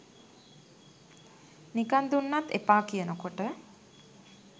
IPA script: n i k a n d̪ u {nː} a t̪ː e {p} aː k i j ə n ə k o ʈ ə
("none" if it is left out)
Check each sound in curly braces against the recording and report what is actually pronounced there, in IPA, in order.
nː, p

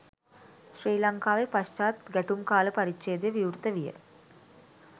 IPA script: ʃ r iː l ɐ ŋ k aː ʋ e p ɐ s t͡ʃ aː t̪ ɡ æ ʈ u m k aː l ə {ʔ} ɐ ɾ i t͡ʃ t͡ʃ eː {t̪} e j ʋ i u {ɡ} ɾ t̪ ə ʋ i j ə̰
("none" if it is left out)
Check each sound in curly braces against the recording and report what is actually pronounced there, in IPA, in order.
p, d̪, none

